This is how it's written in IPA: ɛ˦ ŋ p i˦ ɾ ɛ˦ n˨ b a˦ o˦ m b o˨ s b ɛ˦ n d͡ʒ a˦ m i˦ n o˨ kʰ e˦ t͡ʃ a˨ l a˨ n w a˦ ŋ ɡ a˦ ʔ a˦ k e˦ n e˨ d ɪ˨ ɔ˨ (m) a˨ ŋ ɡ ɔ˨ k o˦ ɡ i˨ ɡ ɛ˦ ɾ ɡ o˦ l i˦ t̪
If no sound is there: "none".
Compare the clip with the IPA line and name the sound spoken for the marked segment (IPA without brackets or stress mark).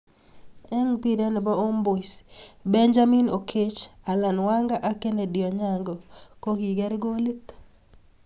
ɲ